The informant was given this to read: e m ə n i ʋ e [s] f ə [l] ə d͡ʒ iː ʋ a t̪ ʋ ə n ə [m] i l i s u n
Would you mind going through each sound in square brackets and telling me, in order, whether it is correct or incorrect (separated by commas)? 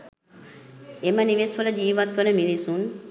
correct, correct, correct